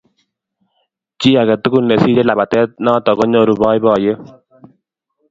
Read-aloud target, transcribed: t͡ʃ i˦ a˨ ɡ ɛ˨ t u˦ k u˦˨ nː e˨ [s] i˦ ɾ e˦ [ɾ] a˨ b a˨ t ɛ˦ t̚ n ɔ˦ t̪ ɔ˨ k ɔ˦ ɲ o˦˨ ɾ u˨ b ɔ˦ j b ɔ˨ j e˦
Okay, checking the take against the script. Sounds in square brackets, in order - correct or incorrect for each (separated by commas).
correct, incorrect